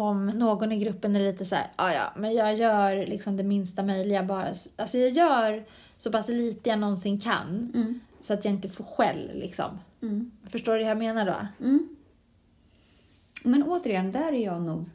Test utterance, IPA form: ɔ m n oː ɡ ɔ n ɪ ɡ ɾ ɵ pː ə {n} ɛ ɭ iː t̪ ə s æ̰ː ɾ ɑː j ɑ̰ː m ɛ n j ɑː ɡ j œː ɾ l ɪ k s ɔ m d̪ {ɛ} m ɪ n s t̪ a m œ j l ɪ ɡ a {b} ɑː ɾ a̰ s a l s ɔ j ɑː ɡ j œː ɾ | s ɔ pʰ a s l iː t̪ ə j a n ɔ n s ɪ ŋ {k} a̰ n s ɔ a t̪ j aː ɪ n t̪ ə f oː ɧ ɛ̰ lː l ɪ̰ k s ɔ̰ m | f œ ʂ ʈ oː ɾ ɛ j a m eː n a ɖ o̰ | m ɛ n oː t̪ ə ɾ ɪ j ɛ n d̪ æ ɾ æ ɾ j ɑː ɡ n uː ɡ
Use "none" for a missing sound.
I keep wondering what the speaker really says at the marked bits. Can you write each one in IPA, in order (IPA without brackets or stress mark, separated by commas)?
n, ɛ, b, kʰ